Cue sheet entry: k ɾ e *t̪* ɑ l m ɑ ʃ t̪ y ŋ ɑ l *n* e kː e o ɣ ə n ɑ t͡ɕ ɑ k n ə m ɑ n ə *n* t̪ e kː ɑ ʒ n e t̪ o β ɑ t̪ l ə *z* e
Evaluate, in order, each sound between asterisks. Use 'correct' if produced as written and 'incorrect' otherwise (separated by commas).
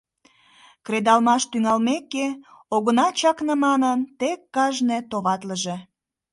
incorrect, incorrect, correct, incorrect